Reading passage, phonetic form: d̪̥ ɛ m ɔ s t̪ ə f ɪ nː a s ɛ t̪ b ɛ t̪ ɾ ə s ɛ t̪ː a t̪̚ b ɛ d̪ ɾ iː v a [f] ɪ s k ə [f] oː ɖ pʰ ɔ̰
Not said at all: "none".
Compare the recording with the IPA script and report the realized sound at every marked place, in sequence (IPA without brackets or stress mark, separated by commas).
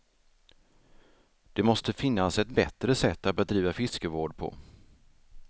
f, v